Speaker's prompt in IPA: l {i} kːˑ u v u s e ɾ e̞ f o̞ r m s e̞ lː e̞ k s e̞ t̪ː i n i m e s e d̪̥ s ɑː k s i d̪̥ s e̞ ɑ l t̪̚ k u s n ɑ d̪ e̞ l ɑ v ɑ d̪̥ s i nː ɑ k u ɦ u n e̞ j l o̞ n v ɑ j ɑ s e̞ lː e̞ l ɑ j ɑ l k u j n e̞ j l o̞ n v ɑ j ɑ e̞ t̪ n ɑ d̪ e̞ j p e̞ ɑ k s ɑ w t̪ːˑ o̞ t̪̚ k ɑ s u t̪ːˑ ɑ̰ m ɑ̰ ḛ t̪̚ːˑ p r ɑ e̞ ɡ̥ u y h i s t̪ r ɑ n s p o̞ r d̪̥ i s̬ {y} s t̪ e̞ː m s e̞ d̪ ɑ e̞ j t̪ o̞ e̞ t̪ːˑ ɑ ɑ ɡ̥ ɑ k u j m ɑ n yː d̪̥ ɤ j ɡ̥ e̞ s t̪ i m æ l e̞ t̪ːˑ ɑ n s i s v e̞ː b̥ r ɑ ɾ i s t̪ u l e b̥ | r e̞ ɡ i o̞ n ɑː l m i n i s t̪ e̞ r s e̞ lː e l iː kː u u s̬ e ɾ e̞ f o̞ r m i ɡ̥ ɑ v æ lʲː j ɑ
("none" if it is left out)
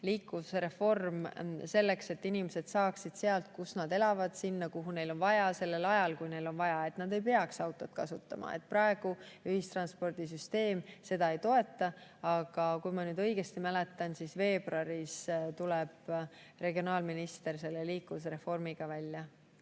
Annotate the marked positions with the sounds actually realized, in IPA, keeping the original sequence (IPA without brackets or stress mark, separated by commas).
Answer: iː, y